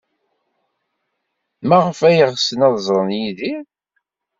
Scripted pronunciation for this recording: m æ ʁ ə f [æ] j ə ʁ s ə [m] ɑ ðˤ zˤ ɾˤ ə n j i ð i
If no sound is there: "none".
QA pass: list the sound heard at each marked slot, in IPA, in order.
æ, n

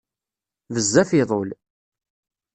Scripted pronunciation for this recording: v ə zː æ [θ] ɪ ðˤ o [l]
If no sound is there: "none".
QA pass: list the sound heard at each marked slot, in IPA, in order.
f, l

